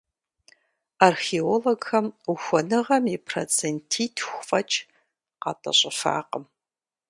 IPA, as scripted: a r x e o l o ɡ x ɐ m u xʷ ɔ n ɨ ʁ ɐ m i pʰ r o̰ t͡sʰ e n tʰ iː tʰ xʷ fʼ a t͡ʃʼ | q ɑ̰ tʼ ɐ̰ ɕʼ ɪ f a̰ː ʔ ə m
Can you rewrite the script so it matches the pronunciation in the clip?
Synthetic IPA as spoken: a r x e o l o ɡ x ɐ m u xʷ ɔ n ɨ ʁ ɐ m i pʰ r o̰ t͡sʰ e n tʰ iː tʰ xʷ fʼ ɐ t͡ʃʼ | q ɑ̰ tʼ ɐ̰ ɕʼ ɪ f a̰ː q ə m